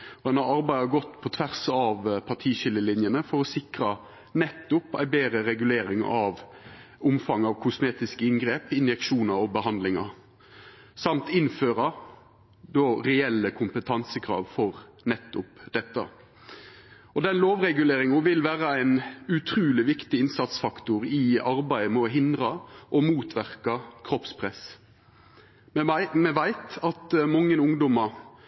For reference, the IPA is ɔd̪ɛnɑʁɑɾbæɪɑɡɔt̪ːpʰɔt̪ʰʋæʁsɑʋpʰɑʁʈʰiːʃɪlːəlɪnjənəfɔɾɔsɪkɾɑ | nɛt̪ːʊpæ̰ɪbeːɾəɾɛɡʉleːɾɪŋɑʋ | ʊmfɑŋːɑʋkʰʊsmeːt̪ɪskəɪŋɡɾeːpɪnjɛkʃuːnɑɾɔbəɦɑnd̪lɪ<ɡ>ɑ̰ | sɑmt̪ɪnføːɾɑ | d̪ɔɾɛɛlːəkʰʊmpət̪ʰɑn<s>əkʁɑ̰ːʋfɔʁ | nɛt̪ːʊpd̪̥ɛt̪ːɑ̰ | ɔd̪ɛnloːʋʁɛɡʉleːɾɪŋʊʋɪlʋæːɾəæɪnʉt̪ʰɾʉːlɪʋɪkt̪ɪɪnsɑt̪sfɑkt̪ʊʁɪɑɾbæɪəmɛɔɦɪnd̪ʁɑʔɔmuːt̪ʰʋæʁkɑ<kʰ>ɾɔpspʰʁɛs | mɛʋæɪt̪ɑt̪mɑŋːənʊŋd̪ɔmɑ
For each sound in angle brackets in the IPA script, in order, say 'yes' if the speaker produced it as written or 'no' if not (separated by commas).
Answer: no, yes, yes